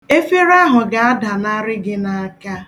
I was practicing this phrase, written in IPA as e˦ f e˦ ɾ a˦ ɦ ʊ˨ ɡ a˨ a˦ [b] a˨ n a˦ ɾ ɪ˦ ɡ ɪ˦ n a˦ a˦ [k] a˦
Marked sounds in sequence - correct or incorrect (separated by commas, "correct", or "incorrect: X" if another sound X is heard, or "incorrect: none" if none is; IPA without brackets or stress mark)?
incorrect: d, correct